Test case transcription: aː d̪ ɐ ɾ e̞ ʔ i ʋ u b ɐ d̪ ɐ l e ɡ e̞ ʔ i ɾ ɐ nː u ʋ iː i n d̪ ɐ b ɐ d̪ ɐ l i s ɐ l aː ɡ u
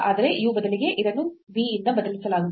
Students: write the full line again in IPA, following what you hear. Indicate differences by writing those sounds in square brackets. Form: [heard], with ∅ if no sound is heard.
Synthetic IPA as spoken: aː d̪ ɐ ɾ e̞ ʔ i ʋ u b ɐ d̪ ɐ l [i] ɡ e̞ ʔ i ɾ ɐ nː u ʋ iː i n d̪ ɐ b ɐ d̪ ɐ l i s ɐ l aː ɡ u

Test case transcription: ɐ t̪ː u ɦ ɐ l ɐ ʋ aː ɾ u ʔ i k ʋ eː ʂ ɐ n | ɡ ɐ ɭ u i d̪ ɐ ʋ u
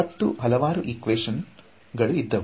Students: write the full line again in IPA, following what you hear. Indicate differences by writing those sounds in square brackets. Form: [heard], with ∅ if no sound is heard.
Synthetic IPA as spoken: ɐ t̪ː u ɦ ɐ l ɐ ʋ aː ɾ u ʔ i k ʋ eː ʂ ɐ n | ɡ ɐ ɭ u i [d̪ː] ɐ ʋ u

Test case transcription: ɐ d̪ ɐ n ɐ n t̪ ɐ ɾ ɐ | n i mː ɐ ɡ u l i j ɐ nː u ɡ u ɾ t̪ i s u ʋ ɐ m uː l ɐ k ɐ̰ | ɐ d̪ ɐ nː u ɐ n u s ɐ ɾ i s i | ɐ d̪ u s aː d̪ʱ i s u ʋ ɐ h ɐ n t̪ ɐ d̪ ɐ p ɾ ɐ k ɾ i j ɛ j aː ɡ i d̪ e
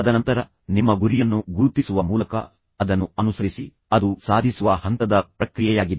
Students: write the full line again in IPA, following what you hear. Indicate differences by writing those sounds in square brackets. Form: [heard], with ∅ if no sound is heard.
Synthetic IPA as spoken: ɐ d̪ ɐ n ɐ n t̪ ɐ ɾ ɐ | n i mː ɐ ɡ u [ɾ] i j ɐ nː u ɡ u ɾ t̪ i s u ʋ ɐ m uː l ɐ k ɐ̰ | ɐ d̪ ɐ nː u ɐ n u s ɐ ɾ i s i | ɐ d̪ u s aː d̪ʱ i s u ʋ ɐ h ɐ n t̪ ɐ d̪ ɐ p ɾ ɐ k ɾ i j ɛ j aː ɡ i d̪ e

